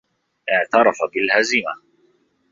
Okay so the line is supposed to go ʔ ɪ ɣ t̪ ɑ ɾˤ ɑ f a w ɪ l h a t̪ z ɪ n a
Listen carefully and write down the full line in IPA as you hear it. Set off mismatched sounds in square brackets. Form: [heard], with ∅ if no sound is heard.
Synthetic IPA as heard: ʔ ɪ [ʕ] t̪ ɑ ɾˤ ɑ f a [b] ɪ l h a [∅] z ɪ [m] a